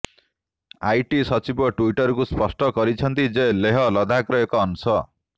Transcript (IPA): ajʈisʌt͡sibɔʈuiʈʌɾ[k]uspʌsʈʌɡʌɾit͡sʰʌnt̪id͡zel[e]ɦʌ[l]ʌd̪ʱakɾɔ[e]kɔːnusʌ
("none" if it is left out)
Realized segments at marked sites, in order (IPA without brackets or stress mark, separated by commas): k, e, l, e